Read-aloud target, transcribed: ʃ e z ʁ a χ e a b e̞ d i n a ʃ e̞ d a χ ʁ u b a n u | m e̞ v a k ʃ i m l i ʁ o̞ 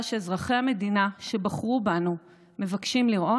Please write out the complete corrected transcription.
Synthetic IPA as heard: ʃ e z ʁ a χ e a m e̞ d i n a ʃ e̞ b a χ ʁ u b a n u | m e̞ v a k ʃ i m l i ʁ o̞